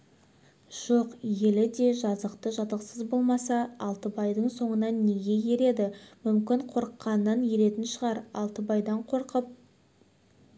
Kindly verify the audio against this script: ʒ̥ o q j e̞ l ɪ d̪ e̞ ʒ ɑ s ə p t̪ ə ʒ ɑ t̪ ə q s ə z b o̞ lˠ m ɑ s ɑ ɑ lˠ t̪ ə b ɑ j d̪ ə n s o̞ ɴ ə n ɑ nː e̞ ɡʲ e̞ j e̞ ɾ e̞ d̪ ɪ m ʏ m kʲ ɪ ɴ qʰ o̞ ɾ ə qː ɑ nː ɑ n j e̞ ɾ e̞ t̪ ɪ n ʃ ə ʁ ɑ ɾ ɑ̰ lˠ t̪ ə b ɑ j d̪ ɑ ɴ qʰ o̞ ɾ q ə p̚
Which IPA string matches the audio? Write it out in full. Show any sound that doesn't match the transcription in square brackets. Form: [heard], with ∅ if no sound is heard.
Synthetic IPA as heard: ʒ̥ o q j e̞ l ɪ d̪ e̞ ʒ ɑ [z] ə [q] t̪ ə ʒ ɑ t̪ ə q s ə z b o̞ lˠ m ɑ s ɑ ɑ lˠ t̪ ə b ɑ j d̪ ə [ɴ] s o̞ ɴ ə n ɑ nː e̞ ɡʲ e̞ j e̞ ɾ e̞ d̪ ɪ m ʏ m kʲ ɪ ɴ qʰ o̞ ɾ ə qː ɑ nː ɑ n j e̞ ɾ e̞ t̪ ɪ n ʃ ə ʁ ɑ ɾ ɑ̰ lˠ t̪ ə b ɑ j d̪ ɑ ɴ qʰ o̞ ɾ q ə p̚